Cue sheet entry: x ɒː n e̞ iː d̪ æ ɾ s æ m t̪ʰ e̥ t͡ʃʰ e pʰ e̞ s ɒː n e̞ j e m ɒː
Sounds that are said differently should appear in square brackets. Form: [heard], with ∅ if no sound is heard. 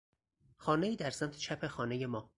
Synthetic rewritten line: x ɒː n e̞ iː d̪ æ ɾ s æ m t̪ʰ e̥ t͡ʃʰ [æ] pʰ e̞ [x] ɒː n e̞ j e m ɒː

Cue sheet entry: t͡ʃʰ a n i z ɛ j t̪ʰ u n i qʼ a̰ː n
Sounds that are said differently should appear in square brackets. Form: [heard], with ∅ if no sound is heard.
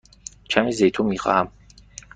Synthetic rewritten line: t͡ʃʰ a [m] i z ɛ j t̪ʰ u [m] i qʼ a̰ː [m]

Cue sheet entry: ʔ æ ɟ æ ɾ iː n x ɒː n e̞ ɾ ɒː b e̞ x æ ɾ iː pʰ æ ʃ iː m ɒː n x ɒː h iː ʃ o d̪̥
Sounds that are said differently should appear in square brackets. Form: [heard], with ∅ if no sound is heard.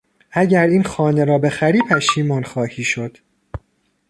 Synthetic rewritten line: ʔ æ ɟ æ ɾ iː n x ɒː n e̞ ɾ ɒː b e̞ x æ ɾ iː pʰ æ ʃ iː m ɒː n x ɒː h iː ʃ o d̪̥

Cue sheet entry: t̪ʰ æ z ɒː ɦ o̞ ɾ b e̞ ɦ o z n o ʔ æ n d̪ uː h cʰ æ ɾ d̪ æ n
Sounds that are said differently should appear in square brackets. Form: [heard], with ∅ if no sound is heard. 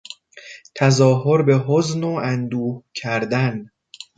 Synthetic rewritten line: t̪ʰ æ z ɒː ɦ o̞ ɾ b e̞ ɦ o z n o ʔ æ n d̪ uː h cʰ æ ɾ d̪ æ n

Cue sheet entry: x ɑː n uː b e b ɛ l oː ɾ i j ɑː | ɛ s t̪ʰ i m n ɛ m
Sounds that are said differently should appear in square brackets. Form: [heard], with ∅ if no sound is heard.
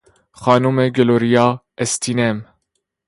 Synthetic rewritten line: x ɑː n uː [m] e [ɡ] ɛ l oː ɾ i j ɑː | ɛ s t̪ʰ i [∅] n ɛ m

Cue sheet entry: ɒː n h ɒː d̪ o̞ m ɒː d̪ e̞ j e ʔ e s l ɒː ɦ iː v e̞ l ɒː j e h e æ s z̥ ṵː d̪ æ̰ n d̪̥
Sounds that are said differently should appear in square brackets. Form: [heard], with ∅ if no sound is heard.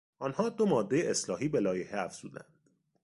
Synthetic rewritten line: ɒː n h ɒː d̪ o̞ m ɒː [d̪ː] e̞ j e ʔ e s l ɒː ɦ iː [b] e̞ l ɒː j e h e æ [f] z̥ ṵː d̪ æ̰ n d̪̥

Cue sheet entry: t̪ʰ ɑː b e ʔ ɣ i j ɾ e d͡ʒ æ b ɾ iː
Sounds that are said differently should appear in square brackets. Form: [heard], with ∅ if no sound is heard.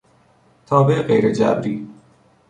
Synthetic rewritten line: t̪ʰ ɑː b e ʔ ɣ [e] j ɾ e d͡ʒ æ b ɾ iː

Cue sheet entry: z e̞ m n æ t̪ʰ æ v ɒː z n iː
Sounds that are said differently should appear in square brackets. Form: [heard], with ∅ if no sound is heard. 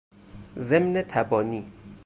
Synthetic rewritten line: z e̞ m n [e] t̪ʰ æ [b] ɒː [∅] n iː

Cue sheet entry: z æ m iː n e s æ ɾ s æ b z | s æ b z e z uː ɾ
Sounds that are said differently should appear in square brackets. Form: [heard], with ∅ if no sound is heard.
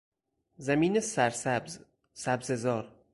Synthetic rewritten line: z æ m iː n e s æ ɾ s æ b z | s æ b z e z [ɒː] ɾ

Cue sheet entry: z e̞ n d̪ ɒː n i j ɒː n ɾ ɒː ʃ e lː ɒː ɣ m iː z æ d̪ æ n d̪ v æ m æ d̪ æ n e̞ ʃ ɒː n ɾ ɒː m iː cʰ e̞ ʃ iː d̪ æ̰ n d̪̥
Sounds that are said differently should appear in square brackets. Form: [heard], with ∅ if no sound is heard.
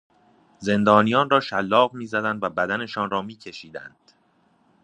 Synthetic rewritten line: z e̞ n d̪ ɒː n i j ɒː n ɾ ɒː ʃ [æ] lː ɒː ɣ m iː z æ d̪ æ n d̪ v æ [b] æ d̪ æ n e̞ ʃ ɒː n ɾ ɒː m iː cʰ e̞ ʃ iː d̪ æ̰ n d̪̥

